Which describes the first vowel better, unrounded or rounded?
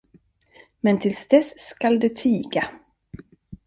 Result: unrounded